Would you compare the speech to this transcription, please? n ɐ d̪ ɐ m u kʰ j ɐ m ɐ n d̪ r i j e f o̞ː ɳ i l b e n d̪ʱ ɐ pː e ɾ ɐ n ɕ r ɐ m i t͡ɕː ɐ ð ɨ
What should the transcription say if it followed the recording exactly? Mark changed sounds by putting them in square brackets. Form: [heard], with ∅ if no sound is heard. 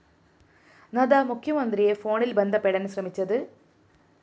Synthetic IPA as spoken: n ɐ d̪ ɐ m u kʰ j ɐ m ɐ n d̪ r i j e f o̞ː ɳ i l b e n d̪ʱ ɐ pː e [ɽ] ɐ n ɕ r ɐ m i t͡ɕː ɐ ð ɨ